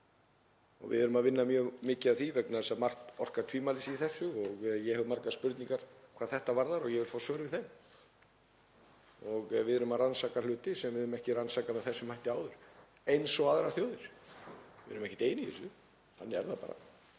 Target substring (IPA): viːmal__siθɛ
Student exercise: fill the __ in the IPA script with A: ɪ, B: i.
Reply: A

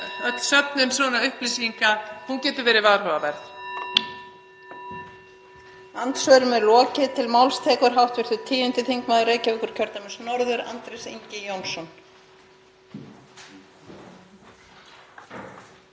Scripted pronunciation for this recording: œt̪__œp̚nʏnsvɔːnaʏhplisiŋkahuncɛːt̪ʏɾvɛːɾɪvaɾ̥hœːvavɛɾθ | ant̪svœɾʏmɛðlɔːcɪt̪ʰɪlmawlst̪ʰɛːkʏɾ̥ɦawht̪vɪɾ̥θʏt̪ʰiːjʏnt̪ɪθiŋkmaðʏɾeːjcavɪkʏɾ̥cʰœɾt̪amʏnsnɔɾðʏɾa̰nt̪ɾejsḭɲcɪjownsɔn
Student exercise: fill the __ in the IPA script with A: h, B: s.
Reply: B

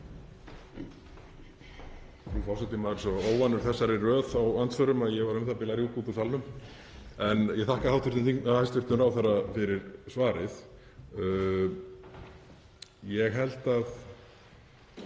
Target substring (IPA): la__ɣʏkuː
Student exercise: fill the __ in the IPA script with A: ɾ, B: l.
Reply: A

